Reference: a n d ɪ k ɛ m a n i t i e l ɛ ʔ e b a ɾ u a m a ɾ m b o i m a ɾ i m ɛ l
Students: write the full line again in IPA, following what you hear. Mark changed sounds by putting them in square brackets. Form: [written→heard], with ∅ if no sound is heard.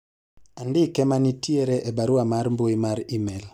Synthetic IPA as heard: a n d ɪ k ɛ m a n i t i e [l→ɾ] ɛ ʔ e b a ɾ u a m a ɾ m b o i m a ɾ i m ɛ l